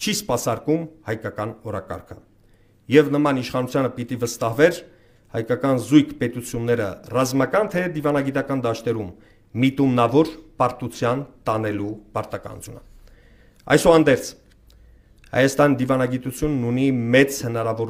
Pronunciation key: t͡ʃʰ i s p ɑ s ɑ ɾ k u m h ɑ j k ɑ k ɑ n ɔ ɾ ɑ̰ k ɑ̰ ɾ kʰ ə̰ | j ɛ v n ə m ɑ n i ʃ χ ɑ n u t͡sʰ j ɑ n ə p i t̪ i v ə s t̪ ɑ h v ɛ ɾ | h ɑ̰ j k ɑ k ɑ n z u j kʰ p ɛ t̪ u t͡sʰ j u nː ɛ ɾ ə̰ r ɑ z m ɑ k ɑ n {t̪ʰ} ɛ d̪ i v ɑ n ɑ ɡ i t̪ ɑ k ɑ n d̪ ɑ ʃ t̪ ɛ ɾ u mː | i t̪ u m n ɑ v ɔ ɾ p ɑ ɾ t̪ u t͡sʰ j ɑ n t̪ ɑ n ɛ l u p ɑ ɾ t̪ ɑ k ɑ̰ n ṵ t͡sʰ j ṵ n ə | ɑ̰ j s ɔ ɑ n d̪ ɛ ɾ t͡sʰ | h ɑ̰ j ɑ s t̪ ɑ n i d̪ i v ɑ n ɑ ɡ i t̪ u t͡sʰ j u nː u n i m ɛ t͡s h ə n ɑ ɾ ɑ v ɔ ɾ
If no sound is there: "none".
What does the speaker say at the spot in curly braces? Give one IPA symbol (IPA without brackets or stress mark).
t̪ʰ